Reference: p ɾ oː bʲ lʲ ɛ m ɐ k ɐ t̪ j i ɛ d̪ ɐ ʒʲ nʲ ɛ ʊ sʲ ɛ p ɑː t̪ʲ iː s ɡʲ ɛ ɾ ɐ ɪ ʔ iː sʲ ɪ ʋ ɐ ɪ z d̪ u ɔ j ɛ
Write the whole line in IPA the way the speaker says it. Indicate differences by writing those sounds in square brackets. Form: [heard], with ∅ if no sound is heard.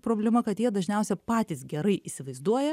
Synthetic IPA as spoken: p ɾ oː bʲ lʲ ɛ m ɐ k ɐ t̪ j i ɛ d̪ ɐ ʒʲ nʲ ɛ ʊ sʲ ɛ p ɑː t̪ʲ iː s ɡʲ ɛ ɾ ɐ ɪ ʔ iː sʲ ɪ ʋ ɐ ɪ z d̪ u ɔ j ɛ